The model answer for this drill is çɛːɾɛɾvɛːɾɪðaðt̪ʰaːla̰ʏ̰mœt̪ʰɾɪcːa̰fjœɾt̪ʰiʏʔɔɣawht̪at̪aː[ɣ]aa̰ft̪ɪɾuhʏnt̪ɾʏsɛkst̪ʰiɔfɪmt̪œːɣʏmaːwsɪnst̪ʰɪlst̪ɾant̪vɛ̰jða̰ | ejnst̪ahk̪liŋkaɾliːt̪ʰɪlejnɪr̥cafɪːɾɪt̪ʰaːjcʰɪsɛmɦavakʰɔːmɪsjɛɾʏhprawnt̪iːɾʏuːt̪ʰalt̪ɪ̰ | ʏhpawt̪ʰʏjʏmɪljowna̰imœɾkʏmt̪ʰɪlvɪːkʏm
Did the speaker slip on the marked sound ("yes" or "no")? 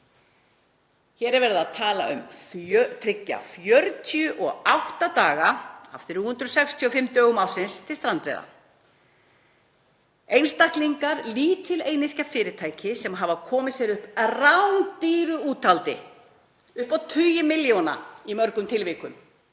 no